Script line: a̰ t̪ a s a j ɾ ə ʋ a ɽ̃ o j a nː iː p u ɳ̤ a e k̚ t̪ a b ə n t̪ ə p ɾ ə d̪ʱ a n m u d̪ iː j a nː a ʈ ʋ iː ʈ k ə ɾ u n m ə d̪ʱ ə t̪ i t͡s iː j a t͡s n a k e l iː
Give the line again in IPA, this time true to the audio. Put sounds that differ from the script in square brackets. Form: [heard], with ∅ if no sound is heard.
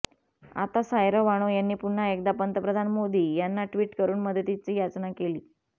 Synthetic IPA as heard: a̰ t̪ a s a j ɾ ə ʋ a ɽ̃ o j a nː iː p u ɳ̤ a e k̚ [d̪] a [p] ə n t̪ ə p ɾ ə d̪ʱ a n m [o] d̪ iː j a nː a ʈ ʋ iː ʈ k ə ɾ [uː] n m ə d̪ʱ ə t̪ i t͡s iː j a t͡s n a k e l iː